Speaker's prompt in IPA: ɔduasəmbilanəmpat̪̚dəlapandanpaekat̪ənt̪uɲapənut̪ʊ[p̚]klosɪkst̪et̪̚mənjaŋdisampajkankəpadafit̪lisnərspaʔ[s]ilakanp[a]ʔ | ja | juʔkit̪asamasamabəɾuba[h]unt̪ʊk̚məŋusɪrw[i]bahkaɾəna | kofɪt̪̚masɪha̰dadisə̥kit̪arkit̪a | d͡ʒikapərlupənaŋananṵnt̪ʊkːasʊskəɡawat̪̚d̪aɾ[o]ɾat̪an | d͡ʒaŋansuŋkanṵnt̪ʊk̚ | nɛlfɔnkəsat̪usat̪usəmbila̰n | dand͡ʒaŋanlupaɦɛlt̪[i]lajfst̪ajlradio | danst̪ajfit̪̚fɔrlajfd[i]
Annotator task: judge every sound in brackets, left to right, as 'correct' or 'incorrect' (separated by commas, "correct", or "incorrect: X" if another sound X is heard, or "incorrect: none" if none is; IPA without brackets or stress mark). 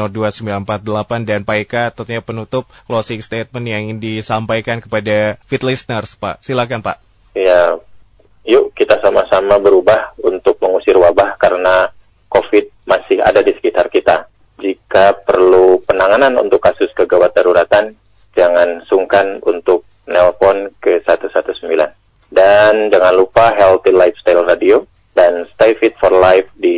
correct, correct, correct, correct, incorrect: a, incorrect: u, correct, correct